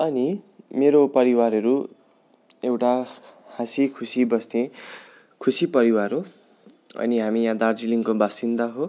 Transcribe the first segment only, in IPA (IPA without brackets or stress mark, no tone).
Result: ʌ